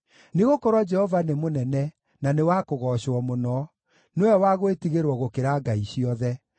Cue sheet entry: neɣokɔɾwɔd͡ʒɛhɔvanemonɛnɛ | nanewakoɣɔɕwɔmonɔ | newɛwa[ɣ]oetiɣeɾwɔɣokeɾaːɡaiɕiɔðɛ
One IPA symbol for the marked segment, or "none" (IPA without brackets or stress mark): ɣ